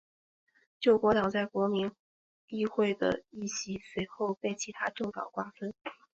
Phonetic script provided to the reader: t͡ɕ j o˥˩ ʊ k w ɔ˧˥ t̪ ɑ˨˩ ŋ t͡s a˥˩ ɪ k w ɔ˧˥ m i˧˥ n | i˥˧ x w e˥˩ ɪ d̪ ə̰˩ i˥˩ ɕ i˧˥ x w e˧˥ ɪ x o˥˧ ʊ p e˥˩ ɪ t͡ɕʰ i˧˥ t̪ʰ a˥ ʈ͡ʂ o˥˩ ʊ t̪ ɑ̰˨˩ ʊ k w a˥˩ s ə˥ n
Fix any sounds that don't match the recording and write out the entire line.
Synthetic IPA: t͡ɕ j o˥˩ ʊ k w ɔ˧˥ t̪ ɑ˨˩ ŋ t͡s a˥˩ ɪ k w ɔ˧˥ m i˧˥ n | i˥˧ x w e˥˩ ɪ d̪ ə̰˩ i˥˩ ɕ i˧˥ s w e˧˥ ɪ x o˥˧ ʊ p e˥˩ ɪ t͡ɕʰ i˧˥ t̪ʰ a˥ ʈ͡ʂ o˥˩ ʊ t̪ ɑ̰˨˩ ʊ k w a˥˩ f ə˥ n